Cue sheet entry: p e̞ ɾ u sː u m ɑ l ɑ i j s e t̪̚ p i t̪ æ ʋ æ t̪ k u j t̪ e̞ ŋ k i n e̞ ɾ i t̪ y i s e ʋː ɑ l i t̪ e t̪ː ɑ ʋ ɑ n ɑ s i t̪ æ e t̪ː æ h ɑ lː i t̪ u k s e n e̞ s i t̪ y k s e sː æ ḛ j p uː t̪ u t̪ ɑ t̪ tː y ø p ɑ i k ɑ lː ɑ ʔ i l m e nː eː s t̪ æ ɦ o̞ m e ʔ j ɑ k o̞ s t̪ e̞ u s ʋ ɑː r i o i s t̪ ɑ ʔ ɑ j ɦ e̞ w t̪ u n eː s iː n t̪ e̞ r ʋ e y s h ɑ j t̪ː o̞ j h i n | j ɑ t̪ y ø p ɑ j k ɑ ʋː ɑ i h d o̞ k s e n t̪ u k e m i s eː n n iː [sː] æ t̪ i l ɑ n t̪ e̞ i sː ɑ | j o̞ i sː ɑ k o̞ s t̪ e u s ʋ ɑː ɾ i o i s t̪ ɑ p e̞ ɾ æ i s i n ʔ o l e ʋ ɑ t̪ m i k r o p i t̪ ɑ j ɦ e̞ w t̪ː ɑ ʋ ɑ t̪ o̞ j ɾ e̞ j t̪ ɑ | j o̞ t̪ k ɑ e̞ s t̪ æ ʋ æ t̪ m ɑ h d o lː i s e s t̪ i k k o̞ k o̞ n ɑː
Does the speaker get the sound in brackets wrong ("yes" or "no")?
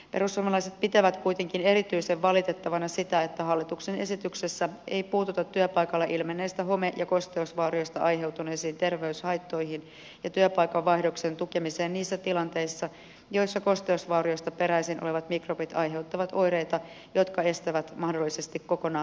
no